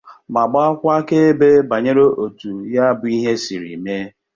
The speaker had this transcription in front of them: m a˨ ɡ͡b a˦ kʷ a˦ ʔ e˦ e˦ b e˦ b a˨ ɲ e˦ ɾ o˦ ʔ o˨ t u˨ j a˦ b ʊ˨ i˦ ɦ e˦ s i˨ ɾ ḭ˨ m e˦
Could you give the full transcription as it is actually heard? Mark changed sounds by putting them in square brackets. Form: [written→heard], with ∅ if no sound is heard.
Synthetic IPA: m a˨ ɡ͡b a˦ kʷ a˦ [ʔ→k] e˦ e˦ b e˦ b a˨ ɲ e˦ ɾ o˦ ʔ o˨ t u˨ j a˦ b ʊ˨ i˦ ɦ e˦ s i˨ ɾ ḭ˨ m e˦